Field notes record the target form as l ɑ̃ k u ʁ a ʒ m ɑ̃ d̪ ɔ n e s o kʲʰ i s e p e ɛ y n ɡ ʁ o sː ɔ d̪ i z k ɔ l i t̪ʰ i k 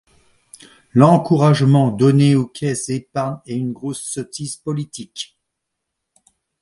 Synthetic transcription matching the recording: l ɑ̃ k u ʁ a ʒ m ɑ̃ d̪ ɔ n e o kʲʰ ɛ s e p a ɛ y n ɡ ʁ o sː ɔ t̪ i z p ɔ l i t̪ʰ i k